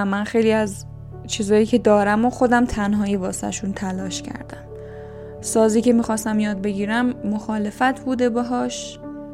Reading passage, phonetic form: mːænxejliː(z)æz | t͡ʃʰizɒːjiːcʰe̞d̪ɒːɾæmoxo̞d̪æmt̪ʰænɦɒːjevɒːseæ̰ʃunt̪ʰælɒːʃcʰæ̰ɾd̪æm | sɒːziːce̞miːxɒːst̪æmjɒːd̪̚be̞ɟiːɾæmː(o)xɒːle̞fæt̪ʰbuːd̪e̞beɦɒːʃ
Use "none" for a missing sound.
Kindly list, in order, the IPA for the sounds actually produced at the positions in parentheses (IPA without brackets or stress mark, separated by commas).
none, o